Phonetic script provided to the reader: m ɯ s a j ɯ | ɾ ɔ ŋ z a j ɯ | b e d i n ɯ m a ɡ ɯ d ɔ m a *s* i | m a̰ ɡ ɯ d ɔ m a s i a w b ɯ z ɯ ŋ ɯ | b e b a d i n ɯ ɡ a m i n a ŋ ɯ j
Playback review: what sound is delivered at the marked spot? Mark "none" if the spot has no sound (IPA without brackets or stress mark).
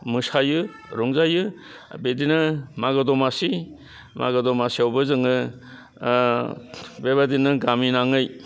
s